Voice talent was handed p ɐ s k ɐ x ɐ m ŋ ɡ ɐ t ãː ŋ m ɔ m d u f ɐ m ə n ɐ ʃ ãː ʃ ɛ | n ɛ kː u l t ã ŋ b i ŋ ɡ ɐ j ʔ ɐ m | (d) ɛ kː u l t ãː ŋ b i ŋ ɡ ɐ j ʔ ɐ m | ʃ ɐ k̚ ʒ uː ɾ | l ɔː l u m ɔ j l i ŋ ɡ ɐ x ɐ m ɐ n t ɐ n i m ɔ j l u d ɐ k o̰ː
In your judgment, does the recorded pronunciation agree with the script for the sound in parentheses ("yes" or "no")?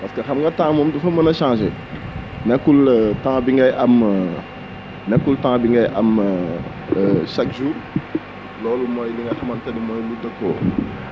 no